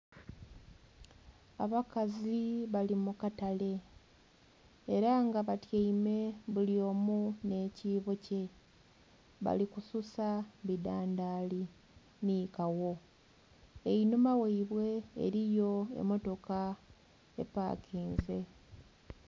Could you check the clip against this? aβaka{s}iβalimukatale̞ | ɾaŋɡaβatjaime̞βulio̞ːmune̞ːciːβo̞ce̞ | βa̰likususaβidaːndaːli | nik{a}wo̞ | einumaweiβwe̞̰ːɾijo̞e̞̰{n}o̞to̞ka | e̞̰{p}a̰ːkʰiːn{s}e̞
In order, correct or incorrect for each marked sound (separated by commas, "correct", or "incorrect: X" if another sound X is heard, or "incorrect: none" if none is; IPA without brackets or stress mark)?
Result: incorrect: z, correct, incorrect: m, correct, incorrect: z